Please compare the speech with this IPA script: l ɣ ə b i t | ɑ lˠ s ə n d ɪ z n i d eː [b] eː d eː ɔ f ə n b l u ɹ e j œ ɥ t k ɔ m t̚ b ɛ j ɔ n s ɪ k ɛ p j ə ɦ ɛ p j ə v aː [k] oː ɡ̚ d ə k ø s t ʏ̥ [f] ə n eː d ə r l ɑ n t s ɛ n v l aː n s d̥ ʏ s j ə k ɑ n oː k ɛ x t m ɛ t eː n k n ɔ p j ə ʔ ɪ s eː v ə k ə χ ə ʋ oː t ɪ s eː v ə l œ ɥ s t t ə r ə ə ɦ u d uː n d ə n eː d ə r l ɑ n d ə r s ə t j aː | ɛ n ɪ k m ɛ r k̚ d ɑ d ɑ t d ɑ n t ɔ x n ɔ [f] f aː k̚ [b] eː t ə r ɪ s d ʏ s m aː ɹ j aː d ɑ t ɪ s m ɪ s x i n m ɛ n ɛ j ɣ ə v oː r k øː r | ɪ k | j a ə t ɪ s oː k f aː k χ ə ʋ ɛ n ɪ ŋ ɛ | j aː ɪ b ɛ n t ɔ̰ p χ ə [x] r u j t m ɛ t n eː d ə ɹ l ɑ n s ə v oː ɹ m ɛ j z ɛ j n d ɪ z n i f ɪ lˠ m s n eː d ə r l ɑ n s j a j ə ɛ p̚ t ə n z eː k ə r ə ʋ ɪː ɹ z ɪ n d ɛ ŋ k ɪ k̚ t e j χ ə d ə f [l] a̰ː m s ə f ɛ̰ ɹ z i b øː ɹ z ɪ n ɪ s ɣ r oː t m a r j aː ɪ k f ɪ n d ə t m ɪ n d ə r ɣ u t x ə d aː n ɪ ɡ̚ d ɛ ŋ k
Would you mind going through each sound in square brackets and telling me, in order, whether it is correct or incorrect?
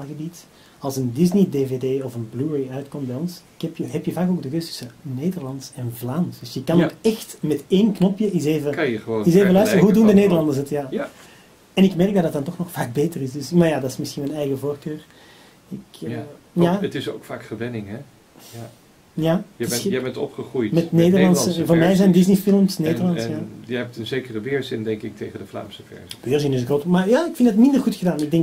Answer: incorrect, correct, incorrect, incorrect, correct, incorrect, correct

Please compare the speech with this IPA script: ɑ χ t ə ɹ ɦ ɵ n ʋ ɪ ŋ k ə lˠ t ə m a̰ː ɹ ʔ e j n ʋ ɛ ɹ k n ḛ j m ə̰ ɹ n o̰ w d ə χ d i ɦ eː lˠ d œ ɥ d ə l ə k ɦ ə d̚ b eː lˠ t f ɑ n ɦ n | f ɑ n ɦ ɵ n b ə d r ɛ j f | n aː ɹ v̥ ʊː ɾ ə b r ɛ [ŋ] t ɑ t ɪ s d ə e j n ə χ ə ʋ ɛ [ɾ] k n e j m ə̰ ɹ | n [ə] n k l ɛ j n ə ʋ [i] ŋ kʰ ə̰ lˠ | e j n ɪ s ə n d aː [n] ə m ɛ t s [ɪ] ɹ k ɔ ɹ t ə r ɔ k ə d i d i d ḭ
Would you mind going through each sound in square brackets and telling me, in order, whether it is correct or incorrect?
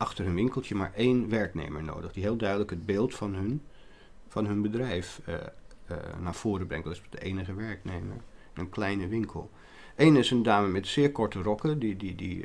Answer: correct, incorrect, correct, incorrect, incorrect, incorrect

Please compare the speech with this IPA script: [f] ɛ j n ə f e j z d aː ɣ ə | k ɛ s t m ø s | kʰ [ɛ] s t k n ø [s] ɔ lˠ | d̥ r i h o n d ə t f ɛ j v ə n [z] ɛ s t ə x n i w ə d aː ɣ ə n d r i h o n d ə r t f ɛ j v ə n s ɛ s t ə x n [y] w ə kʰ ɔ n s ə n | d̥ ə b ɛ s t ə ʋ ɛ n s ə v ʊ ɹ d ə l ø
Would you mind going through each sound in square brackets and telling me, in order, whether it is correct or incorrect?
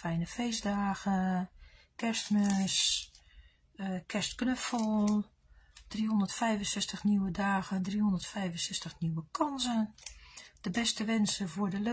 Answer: correct, correct, incorrect, incorrect, incorrect

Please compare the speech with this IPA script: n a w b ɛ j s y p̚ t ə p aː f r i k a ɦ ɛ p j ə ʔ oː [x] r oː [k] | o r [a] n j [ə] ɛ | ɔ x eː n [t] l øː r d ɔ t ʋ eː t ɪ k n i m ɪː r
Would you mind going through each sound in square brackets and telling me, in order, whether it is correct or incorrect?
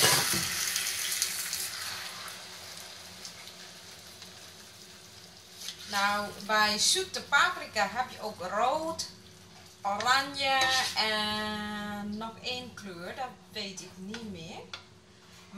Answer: incorrect, incorrect, correct, correct, incorrect

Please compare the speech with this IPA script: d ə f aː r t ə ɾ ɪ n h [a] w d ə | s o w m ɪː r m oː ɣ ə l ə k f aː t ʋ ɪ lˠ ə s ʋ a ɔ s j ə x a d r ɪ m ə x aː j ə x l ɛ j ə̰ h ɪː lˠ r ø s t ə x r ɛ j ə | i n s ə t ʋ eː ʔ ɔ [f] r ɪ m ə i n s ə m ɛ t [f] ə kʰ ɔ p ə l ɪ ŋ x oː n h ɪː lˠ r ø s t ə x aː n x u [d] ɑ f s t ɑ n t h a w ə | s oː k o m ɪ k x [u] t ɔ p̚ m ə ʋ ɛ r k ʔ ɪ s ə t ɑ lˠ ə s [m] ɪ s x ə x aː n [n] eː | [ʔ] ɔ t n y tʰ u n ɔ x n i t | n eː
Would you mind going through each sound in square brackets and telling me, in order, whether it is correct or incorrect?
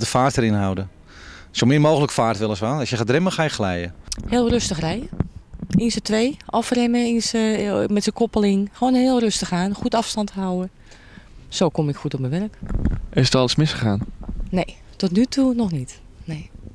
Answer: correct, correct, incorrect, incorrect, correct, correct, correct, incorrect

